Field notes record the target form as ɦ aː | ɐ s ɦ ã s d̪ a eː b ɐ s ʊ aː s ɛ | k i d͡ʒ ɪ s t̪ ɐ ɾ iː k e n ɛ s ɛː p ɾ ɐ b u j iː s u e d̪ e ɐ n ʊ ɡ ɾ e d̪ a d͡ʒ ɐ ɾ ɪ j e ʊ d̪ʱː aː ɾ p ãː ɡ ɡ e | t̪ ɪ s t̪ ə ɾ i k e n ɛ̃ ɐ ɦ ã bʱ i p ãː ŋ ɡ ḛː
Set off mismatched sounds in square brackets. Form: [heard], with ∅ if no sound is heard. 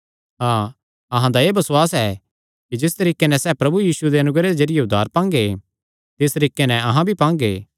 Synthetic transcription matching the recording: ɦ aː | ɐ [∅] ɦ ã [∅] d̪ a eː b ɐ s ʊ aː s ɛ | k i d͡ʒ ɪ s t̪ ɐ ɾ iː k e n ɛ s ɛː p ɾ ɐ b u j iː s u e d̪ e ɐ n ʊ ɡ ɾ e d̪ [e] d͡ʒ ɐ ɾ ɪ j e ʊ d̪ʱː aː ɾ p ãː [ŋ] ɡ e | t̪ ɪ s t̪ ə ɾ [iː] k e n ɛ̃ ɐ ɦ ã bʱ i p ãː ŋ ɡ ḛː